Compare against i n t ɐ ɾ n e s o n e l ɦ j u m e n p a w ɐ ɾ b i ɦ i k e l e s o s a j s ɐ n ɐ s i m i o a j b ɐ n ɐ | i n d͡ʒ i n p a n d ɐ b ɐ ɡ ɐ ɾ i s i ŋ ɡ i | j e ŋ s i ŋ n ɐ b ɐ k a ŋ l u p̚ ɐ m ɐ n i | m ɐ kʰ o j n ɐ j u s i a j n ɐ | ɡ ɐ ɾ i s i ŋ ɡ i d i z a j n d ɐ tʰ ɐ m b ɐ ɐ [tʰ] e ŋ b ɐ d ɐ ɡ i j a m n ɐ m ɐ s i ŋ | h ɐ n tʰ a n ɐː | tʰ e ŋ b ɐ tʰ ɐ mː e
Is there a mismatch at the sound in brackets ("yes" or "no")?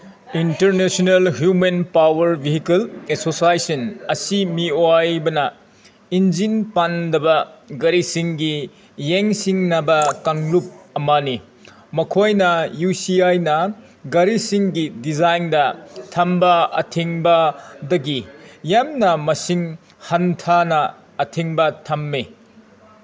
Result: no